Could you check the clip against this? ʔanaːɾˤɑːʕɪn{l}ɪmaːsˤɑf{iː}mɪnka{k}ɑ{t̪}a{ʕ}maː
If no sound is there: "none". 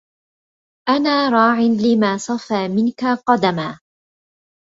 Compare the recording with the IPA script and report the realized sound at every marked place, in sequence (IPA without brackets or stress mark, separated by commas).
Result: l, aː, q, d̪, none